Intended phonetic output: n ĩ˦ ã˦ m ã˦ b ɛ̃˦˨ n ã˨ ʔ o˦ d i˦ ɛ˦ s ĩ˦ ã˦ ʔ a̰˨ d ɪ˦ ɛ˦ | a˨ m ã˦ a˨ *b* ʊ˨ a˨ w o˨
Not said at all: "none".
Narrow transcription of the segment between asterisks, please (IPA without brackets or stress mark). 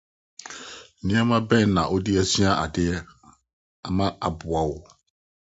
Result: b